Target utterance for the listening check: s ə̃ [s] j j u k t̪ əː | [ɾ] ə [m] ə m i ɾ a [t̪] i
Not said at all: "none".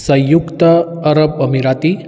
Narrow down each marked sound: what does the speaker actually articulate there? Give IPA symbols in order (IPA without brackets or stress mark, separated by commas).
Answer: none, ɾ, b, t̪